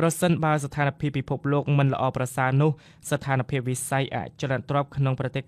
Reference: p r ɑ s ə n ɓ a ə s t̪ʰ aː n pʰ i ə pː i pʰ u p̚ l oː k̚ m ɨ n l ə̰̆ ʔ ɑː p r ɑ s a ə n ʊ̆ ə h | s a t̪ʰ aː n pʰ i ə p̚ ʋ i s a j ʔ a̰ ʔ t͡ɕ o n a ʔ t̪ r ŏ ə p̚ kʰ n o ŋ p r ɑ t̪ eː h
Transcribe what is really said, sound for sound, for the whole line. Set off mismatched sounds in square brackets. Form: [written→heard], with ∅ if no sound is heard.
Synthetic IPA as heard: p r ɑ s ə n ɓ a ə s t̪ʰ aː n pʰ i ə pː i pʰ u p̚ l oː k̚ m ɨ n l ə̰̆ ʔ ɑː p r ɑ s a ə n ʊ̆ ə h | s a t̪ʰ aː n pʰ i ə p̚ ʋ i s a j ʔ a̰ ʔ t͡ɕ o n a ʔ t̪ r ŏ ə p̚ kʰ n o ŋ p r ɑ t̪ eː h